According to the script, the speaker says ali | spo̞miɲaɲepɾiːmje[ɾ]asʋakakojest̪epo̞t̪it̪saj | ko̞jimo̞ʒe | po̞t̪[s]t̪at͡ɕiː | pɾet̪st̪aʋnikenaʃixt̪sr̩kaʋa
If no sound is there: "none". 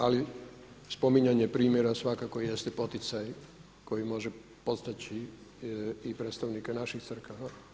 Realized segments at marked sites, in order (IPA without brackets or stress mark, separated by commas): ɾ, s